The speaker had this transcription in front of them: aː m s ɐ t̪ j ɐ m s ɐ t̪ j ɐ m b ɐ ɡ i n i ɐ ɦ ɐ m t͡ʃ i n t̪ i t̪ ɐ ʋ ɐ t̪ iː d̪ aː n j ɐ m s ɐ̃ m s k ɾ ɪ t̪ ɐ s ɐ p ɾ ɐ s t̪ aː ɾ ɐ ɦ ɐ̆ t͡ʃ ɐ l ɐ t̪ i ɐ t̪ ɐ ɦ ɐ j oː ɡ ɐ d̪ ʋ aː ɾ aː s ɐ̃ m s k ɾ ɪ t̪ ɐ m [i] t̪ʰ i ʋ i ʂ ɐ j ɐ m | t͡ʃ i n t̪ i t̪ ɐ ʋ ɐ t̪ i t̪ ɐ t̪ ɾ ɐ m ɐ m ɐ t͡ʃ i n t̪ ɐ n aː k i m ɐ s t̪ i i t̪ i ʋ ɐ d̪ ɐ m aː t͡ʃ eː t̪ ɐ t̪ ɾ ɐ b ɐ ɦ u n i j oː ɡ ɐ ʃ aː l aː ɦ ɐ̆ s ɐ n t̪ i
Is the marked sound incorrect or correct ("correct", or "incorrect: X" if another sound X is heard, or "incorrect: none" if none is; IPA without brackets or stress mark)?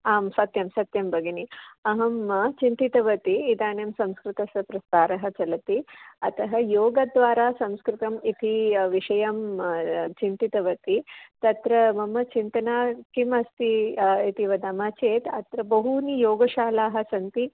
correct